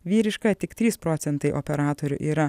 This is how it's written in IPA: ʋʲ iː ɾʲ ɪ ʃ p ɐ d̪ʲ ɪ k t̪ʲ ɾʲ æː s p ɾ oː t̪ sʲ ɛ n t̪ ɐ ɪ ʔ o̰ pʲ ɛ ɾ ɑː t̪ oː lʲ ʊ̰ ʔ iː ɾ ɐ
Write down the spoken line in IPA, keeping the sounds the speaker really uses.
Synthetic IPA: ʋʲ iː ɾʲ ɪ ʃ k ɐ t̪ʲ ɪ k t̪ʲ ɾʲ iː s p ɾ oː t̪ sʲ ɛ n t̪ ɐ ɪ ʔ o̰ pʲ ɛ ɾ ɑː t̪ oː ɾʲ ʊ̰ ʔ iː ɾ ɐ

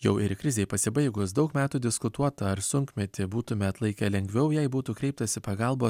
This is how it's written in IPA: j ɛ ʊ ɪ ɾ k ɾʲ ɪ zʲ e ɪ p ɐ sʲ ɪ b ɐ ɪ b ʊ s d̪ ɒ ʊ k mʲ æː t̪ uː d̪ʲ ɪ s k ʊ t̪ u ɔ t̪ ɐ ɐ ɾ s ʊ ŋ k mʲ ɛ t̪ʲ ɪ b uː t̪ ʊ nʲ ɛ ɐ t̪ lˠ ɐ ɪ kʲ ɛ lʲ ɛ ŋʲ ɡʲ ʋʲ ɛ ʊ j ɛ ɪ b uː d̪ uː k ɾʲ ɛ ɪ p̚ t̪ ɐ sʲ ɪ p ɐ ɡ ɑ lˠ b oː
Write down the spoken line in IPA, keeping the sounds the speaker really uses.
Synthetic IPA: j ɛ ʊ ɪ ɾ k ɾʲ ɪ zʲ e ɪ p ɐ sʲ ɪ b ɐ ɪ ɡ ʊ s d̪ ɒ ʊ k mʲ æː t̪ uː d̪ʲ ɪ s k ʊ t̪ u ɔ t̪ ɐ ɐ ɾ s ʊ ŋ k mʲ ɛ t̪ʲ ɪ b uː t̪ ʊ mʲ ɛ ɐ t̪ lˠ ɐ ɪ kʲ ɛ lʲ ɛ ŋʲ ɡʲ ʋʲ ɛ ʊ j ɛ ɪ b uː t̪ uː k ɾʲ ɛ ɪ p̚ t̪ ɐ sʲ ɪ p ɐ ɡ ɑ lˠ b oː

